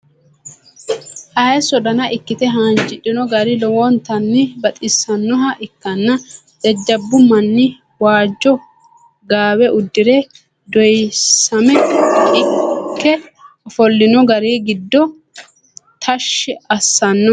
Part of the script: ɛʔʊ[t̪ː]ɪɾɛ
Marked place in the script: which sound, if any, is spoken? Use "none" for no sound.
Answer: d̪ː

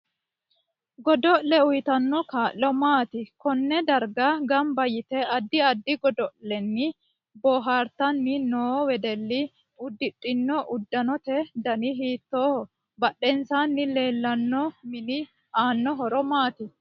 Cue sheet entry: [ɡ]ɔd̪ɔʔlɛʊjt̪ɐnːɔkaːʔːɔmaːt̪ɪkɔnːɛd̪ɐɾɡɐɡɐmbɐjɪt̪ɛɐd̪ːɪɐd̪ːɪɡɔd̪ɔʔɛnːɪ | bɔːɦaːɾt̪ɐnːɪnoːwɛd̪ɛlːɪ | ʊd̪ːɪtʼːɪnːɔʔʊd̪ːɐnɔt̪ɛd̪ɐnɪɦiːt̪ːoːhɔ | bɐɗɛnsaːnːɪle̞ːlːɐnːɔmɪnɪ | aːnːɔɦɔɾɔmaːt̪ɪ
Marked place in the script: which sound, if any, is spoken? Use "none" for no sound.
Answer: ɡ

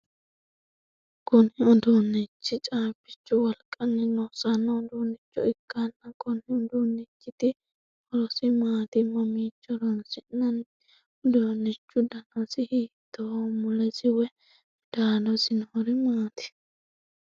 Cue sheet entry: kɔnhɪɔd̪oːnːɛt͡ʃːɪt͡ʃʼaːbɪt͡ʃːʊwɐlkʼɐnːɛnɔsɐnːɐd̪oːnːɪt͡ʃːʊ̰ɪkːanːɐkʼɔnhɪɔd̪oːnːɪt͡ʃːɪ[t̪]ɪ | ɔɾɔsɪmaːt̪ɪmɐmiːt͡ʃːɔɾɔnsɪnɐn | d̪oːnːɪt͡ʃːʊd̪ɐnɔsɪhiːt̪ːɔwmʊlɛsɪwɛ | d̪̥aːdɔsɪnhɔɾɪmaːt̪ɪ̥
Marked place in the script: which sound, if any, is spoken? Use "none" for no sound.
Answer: t̪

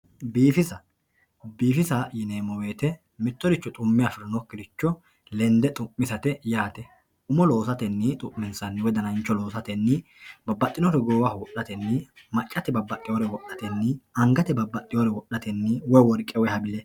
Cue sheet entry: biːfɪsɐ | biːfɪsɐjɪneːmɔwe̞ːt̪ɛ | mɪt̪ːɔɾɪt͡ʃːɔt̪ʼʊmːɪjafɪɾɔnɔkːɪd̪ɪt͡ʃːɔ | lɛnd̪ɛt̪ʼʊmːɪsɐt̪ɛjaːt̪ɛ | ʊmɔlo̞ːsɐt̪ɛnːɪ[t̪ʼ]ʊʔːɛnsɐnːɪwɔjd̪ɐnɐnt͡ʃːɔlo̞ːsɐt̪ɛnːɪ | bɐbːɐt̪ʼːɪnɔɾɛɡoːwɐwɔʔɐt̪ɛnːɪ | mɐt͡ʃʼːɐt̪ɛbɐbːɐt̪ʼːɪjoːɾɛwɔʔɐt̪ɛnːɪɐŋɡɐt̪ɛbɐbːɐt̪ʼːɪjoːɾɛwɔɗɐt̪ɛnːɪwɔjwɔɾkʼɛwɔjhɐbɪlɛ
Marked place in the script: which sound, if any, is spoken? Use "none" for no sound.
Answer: t̪ʼ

